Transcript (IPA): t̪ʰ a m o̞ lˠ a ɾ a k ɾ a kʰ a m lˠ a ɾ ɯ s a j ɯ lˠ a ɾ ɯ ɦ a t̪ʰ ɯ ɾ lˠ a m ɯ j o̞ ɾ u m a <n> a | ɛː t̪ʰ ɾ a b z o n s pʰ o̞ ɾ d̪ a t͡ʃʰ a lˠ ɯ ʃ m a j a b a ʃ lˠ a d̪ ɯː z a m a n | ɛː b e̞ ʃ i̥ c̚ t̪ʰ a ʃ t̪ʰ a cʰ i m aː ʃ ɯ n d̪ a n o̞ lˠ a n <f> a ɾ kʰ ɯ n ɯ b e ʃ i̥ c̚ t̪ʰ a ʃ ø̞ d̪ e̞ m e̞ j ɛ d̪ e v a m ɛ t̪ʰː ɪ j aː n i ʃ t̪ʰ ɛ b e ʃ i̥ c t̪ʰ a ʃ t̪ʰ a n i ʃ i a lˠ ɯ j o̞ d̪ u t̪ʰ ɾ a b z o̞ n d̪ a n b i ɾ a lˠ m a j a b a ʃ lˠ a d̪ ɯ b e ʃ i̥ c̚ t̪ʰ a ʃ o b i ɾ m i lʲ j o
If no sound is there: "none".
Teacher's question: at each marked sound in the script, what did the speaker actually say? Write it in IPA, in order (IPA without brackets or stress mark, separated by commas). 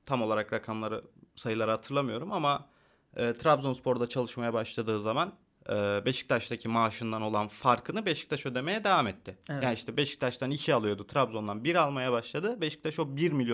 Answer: m, f